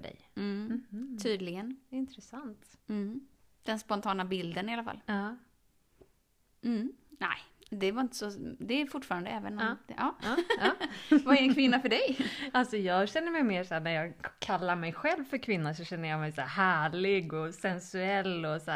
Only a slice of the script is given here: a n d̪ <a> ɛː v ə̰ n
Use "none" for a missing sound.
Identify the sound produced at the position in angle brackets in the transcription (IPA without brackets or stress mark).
ə